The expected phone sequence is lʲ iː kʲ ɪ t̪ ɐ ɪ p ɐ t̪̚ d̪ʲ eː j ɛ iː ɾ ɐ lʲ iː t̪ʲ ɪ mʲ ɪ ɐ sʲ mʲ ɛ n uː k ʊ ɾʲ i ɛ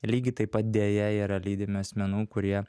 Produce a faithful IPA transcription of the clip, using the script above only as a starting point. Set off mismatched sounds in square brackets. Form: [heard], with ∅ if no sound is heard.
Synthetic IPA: lʲ iː [ɡʲ] ɪ t̪ ɐ ɪ p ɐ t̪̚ d̪ʲ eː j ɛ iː ɾ ɐ lʲ iː [d̪ʲ] ɪ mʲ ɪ ɐ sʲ mʲ ɛ n uː k ʊ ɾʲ i ɛ